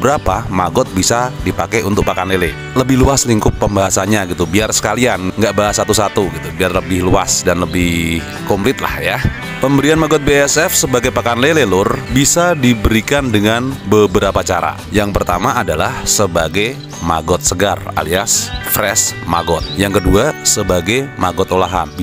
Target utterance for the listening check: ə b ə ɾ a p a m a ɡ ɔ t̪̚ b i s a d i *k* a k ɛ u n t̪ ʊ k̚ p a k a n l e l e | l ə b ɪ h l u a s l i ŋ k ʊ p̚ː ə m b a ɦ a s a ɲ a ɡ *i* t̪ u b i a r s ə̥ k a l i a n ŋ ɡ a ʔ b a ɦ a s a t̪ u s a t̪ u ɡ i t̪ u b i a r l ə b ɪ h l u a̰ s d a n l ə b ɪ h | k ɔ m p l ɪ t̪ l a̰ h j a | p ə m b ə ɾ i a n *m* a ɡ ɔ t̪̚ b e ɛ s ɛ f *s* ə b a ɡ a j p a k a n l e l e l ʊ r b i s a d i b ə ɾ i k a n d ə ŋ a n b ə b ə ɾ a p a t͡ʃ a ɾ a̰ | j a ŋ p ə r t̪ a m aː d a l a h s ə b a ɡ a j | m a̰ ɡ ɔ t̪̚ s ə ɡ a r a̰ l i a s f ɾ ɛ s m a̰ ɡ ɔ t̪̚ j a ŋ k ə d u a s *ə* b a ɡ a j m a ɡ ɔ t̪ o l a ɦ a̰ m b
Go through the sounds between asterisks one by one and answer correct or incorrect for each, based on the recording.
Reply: incorrect: p, correct, correct, correct, correct

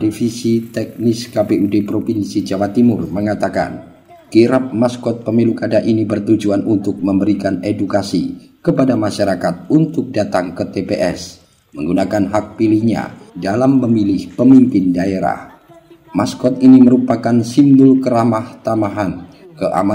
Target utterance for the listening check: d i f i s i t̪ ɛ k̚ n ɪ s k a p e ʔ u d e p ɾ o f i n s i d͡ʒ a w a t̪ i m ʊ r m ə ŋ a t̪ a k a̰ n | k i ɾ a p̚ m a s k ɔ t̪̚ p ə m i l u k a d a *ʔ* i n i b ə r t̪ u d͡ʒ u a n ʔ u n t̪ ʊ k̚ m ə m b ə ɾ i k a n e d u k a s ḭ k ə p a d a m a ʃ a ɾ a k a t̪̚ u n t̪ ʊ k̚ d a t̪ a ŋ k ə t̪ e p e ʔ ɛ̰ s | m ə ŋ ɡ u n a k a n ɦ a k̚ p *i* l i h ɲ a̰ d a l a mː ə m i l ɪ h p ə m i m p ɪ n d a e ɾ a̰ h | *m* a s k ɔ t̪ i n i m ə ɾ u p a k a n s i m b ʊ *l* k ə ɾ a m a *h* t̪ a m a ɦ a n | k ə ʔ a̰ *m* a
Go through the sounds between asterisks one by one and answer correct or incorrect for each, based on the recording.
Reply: correct, correct, correct, correct, correct, correct

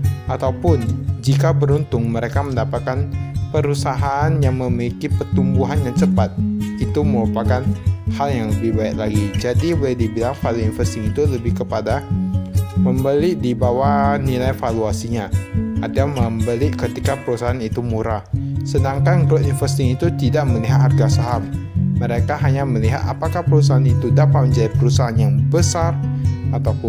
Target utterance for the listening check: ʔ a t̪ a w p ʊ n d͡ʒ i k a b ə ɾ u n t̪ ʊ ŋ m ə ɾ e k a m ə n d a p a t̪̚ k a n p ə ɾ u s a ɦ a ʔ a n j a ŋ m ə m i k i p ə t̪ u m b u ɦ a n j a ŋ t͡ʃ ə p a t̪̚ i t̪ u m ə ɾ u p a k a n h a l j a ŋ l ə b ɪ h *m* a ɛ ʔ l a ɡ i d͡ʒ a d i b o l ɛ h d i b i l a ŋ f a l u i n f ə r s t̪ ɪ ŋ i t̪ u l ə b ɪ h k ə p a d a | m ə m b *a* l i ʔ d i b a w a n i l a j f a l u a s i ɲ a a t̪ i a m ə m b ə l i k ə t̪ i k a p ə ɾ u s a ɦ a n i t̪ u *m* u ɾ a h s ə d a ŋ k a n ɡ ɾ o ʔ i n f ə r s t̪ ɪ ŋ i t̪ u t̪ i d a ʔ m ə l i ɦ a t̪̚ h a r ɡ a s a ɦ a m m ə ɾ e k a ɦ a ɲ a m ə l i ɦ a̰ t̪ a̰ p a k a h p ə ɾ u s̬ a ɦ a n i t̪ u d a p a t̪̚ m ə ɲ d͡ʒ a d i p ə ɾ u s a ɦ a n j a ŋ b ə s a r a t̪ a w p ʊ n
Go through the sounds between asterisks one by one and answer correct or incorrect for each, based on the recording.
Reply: incorrect: b, incorrect: ə, correct

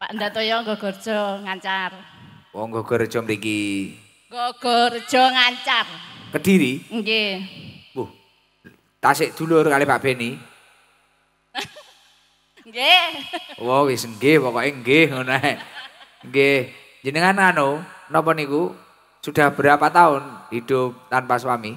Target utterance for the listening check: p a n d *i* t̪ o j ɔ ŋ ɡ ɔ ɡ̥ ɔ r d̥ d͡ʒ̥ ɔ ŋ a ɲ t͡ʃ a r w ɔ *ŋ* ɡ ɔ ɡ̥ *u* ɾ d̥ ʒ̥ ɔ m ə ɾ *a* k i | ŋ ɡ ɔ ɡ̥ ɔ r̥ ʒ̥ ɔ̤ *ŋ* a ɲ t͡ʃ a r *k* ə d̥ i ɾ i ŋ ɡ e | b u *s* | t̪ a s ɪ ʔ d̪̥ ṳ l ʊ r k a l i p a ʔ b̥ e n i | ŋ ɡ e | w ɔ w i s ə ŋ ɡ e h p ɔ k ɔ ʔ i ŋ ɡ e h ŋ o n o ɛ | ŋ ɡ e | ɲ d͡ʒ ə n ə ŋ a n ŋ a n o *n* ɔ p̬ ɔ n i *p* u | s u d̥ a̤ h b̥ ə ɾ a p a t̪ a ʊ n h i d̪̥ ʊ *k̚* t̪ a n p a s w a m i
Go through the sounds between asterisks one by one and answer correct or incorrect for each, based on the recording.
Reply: incorrect: a, correct, incorrect: ɔ, incorrect: i, correct, correct, incorrect: h, correct, incorrect: k, incorrect: p̚

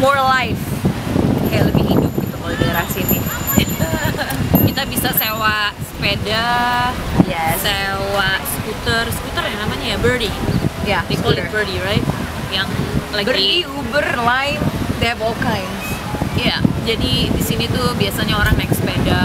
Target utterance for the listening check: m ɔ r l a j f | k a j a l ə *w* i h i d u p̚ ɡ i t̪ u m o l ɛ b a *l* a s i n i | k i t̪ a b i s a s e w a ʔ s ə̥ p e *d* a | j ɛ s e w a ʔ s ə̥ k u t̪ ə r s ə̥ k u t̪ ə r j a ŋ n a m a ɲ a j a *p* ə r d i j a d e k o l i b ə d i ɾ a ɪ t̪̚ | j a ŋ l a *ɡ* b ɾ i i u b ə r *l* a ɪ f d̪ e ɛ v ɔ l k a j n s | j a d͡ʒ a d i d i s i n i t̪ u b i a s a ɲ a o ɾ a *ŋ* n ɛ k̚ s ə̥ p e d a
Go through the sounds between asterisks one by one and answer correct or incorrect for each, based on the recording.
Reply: incorrect: b, incorrect: ɾ, correct, incorrect: b, correct, correct, correct

